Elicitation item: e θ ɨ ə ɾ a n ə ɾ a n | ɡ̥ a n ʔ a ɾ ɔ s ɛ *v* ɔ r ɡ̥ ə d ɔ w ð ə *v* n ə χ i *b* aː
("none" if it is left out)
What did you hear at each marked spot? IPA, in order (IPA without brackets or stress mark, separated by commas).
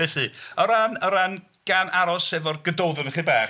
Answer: v, none, b